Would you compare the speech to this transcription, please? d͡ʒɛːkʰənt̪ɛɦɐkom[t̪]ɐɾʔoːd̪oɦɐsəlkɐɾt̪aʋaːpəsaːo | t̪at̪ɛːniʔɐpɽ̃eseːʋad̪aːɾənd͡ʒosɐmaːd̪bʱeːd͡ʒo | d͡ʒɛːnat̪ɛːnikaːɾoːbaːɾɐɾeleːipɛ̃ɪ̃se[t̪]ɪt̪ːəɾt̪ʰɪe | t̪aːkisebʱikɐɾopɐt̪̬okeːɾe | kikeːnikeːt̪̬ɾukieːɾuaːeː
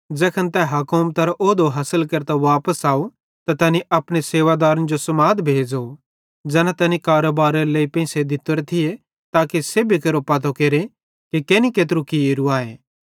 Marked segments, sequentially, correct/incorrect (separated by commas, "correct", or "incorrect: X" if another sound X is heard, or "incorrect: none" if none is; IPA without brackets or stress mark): correct, incorrect: d̪